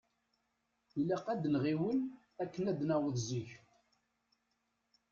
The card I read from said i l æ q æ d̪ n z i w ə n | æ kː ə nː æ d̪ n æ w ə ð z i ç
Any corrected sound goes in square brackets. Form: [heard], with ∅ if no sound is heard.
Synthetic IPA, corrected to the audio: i l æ q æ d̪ n [ʁ] i w ə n | æ kː ə [n] æ d̪ n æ w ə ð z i ç